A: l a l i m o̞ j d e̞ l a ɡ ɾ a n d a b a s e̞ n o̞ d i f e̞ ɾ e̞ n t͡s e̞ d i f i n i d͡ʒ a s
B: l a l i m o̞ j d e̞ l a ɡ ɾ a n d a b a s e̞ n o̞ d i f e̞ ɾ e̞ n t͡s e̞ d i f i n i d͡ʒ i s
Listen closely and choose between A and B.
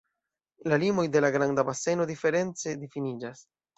A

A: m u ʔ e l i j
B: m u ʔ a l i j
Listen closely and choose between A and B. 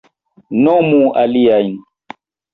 B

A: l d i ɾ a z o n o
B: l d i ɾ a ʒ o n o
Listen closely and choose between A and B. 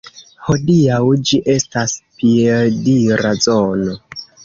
A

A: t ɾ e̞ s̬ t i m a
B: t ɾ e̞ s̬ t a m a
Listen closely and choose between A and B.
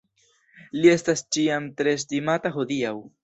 A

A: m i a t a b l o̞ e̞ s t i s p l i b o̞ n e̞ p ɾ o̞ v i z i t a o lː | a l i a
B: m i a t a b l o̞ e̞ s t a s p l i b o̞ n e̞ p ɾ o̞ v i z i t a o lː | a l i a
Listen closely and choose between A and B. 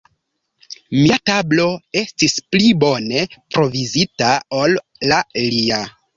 A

